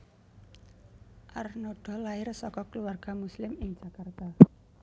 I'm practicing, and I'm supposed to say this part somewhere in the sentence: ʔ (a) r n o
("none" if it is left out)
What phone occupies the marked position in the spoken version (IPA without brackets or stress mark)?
a